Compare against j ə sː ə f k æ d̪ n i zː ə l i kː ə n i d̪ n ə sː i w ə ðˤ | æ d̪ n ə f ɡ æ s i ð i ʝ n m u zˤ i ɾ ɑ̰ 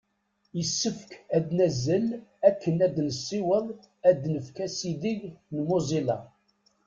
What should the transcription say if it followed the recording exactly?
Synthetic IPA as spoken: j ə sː ə f k æ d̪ n æ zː ə l æ kː ə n æ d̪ n ə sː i w ə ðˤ | æ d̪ n ə f k æ s i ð i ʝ n m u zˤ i l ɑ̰